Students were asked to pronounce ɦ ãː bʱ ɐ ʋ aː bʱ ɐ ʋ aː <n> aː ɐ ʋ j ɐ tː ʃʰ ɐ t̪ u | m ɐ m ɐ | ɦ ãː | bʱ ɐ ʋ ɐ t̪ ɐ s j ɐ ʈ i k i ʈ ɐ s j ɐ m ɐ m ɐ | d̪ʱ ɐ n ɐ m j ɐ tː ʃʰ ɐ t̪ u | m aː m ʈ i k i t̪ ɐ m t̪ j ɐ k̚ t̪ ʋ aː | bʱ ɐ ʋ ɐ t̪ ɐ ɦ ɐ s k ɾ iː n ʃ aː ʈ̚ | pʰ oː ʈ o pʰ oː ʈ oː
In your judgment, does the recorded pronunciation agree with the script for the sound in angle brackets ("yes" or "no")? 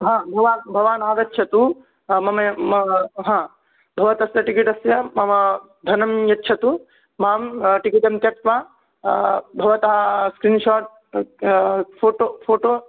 yes